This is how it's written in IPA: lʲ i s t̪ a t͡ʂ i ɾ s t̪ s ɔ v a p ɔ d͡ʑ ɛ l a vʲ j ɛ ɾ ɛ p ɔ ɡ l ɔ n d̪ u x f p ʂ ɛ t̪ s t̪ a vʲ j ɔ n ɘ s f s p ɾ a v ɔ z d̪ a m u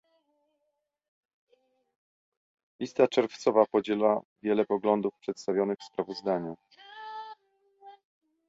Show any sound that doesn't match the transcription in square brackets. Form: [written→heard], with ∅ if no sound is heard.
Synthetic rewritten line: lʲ i s t̪ a t͡ʂ [i→ɛ] ɾ [s→f] t̪ s ɔ v a p ɔ d͡ʑ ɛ l a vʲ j ɛ [ɾ→l] ɛ p ɔ ɡ l ɔ n d̪ u [x→∅] f p ʂ ɛ t̪ s t̪ a vʲ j ɔ n ɘ [s→x] f s p ɾ a v ɔ z d̪ a [m→ɲ] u